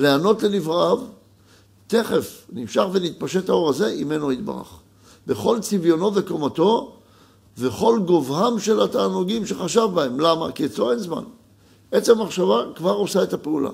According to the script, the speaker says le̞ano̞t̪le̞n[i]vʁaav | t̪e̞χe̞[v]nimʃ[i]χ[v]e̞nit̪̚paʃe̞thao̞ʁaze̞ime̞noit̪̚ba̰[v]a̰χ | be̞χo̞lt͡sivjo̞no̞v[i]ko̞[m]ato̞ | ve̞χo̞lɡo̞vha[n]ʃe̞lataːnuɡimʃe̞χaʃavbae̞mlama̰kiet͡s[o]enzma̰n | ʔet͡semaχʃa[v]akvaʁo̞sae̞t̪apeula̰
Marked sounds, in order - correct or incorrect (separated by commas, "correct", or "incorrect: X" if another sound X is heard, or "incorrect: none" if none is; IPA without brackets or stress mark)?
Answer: correct, incorrect: f, incorrect: a, correct, incorrect: ʁ, incorrect: e, correct, incorrect: m, correct, correct